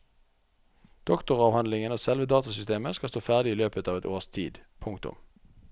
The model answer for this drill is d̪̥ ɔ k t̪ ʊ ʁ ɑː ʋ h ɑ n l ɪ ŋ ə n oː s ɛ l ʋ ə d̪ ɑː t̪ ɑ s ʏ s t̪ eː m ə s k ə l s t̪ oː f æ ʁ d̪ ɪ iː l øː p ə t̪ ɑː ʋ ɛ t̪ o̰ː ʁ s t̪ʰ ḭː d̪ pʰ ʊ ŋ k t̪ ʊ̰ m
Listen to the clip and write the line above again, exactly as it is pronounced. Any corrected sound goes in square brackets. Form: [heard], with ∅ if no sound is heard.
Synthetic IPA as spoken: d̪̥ ɔ k t̪ ʊ ʁ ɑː ʋ h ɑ n l ɪ ŋ ə n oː s ɛ l ʋ ə d̪ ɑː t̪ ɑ s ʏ s t̪ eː m ə s k [ɑ] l s t̪ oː f æ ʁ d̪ ɪ iː l øː p ə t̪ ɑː ʋ ɛ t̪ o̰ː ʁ s t̪ʰ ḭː d̪ pʰ ʊ ŋ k t̪ ʊ̰ m